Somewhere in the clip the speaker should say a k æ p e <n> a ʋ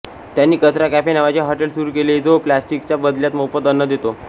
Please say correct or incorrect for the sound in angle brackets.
correct